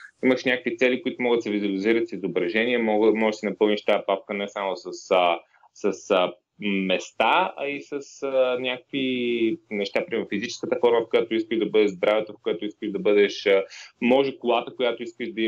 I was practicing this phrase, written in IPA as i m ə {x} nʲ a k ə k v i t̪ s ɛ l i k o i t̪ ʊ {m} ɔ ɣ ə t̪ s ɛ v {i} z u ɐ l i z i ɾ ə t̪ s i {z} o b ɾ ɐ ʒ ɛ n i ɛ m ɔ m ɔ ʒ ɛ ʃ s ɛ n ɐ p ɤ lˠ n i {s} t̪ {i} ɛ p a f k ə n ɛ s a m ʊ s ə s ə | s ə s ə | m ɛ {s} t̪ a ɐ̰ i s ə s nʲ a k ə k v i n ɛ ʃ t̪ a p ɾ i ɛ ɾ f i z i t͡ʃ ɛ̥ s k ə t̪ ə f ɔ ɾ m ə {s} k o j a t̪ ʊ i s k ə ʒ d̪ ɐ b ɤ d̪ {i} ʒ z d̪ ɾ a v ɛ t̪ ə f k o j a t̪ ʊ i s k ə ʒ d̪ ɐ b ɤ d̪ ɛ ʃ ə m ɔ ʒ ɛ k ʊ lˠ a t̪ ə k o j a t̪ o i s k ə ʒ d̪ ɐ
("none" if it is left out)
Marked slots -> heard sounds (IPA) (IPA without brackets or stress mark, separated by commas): ʃ, m, i, z, ʃ, a, s, f, ɛ